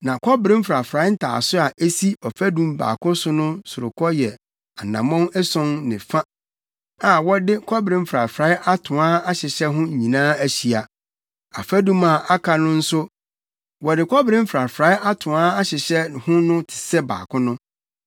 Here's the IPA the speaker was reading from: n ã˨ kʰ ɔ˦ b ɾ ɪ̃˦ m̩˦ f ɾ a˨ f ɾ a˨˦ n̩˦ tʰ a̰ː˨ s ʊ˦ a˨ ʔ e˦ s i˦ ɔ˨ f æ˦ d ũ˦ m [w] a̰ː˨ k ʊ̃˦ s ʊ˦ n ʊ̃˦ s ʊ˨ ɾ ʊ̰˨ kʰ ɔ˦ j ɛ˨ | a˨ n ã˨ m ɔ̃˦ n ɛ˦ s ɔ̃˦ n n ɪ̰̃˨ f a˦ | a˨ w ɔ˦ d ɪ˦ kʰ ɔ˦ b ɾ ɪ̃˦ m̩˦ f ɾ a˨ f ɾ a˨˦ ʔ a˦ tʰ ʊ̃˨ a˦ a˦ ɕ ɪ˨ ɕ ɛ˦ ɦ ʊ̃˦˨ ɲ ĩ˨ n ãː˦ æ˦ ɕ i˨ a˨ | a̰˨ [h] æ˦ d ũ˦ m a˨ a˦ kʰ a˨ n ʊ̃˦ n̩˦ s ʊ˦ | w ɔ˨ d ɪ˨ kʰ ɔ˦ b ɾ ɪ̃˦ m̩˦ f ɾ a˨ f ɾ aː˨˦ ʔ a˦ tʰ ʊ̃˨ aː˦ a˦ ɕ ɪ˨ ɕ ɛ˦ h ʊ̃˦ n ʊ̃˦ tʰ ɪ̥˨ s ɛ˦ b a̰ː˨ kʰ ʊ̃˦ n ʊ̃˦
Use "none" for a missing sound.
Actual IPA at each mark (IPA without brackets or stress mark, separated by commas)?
b, f